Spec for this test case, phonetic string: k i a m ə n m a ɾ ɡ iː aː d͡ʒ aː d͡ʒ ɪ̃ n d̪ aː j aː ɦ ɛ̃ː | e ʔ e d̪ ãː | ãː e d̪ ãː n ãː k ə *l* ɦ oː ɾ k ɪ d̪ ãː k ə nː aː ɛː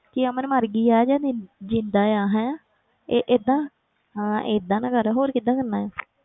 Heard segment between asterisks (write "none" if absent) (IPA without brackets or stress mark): ɾ